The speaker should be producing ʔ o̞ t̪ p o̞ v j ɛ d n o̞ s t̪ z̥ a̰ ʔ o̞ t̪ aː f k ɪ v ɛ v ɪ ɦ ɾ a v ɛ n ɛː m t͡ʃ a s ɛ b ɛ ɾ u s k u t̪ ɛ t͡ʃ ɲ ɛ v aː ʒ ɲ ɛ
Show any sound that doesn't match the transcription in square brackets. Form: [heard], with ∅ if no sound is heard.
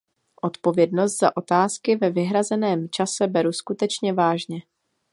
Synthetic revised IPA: ʔ o̞ t̪ p o̞ v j ɛ d n o̞ s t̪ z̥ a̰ ʔ o̞ t̪ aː [s] k ɪ v ɛ v ɪ ɦ ɾ a [z] ɛ n ɛː m t͡ʃ a s ɛ b ɛ ɾ u s k u t̪ ɛ t͡ʃ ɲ ɛ v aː ʒ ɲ ɛ